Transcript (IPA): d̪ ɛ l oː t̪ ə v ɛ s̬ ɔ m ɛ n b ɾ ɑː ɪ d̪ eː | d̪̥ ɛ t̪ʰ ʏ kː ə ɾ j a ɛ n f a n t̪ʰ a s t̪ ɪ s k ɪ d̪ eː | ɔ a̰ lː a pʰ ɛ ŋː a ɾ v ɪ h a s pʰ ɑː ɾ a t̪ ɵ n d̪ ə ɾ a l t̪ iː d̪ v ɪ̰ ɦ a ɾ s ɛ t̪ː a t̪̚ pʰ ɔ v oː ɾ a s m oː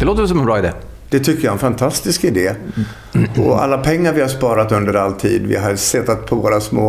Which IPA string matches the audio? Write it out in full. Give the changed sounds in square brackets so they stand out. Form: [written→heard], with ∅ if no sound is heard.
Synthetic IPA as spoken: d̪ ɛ l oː t̪ ə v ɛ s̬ ɔ m ɛ n b ɾ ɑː ɪ d̪ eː | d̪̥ ɛ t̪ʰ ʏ kː ə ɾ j a ɛ n f a n t̪ʰ a s t̪ ɪ s k ɪ d̪ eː | ɔ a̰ lː a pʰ ɛ ŋː a ɾ v ɪ h a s [pʰ→p] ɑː ɾ a t̪ ɵ n d̪ ə ɾ a l [t̪→t̪ʰ] iː d̪ v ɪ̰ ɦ a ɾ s ɛ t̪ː a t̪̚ pʰ ɔ v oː ɾ a s m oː